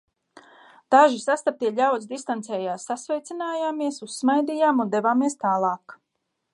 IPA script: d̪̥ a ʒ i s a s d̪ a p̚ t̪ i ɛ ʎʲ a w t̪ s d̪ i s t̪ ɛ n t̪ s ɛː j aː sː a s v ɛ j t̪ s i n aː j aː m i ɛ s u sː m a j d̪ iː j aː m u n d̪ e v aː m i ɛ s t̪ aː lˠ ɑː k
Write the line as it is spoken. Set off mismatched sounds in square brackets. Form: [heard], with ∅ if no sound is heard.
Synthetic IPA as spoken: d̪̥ a ʒ i s a s [t̪] a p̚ t̪ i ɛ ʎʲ a w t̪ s d̪ i s t̪ [a] n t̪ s ɛː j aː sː a s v ɛ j t̪ s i n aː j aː m i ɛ s u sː m a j d̪ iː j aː m u n d̪ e v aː m i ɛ s t̪ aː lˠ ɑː k